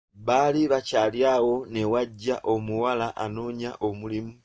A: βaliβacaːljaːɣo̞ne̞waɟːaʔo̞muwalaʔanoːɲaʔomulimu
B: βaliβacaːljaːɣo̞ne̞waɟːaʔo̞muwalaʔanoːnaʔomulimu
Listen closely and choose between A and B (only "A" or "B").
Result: A